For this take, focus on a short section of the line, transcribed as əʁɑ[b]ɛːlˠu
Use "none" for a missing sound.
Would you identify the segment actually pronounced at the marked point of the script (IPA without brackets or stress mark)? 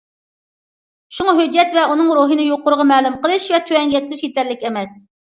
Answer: m